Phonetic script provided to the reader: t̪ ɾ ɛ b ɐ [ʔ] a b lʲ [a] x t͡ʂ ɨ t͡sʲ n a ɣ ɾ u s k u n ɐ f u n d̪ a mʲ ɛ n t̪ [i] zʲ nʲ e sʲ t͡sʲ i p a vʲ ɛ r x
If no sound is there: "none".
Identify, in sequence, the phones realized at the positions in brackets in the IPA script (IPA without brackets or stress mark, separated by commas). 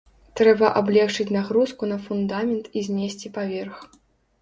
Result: ʔ, ɛ, i